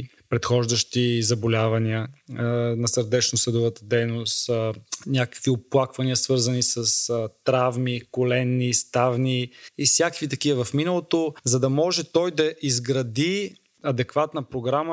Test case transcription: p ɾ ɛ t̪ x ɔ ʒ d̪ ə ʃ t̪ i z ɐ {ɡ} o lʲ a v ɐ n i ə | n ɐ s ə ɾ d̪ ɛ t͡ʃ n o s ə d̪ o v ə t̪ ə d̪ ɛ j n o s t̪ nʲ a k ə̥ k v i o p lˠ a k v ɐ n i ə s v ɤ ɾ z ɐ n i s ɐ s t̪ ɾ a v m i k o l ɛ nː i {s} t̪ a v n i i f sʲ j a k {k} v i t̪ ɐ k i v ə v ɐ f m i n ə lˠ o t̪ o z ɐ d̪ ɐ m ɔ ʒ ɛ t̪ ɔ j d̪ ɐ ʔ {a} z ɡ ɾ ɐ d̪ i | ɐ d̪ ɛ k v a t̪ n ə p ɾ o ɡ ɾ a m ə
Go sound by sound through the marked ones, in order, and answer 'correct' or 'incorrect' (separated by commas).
incorrect, correct, correct, incorrect